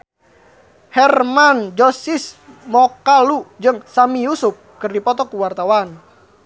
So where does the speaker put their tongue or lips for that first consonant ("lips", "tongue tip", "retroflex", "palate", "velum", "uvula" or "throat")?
throat